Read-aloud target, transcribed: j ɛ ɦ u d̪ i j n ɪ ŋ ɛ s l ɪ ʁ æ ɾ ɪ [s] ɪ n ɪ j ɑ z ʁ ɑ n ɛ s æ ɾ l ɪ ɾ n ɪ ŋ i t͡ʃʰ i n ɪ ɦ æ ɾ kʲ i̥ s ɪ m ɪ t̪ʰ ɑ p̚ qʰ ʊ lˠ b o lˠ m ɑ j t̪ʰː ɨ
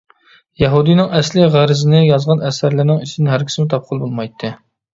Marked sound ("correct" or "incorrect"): incorrect